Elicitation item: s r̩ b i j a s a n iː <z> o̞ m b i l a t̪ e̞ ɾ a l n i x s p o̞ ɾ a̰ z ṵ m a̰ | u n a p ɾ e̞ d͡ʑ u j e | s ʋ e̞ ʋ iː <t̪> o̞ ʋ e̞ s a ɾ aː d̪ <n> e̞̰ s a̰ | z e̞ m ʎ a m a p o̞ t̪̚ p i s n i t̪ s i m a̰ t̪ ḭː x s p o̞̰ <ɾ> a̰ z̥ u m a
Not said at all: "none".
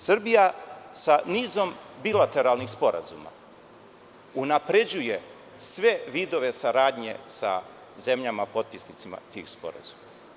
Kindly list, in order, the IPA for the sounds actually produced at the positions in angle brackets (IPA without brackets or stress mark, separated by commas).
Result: z, d̪, ɲ, ɾ